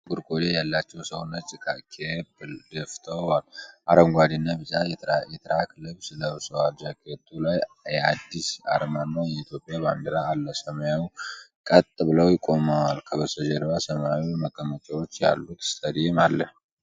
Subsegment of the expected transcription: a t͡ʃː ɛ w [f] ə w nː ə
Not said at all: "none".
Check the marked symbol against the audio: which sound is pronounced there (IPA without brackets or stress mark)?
s